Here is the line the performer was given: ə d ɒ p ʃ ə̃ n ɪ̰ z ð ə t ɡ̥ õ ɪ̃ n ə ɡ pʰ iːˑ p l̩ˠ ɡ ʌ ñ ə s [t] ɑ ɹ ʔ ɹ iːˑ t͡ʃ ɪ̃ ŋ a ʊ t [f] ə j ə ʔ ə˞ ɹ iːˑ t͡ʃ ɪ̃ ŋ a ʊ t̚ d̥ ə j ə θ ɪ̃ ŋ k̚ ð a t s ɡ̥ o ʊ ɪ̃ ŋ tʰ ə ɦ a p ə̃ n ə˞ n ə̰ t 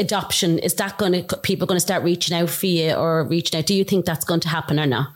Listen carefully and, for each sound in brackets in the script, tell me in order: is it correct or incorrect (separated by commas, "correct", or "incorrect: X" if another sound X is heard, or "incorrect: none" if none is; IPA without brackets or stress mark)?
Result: correct, correct